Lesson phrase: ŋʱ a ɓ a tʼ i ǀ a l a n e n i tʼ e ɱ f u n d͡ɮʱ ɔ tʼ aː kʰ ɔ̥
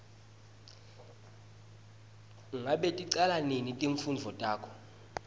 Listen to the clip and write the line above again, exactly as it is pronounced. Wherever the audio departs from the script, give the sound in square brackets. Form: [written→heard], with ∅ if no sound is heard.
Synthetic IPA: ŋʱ a ɓ [a→e] tʼ i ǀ a l a n e n i tʼ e ɱ f u n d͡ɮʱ ɔ tʼ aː kʰ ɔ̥